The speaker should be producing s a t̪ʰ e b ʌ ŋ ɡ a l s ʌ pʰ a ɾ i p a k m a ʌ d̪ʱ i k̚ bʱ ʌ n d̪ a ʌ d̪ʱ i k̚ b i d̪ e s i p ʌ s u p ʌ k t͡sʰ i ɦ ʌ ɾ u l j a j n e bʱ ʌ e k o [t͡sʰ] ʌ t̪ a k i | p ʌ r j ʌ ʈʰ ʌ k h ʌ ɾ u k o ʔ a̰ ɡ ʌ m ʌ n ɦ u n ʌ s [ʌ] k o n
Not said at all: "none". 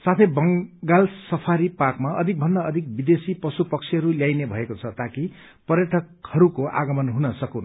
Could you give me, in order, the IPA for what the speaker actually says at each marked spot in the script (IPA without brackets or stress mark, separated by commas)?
t͡sʰ, ʌ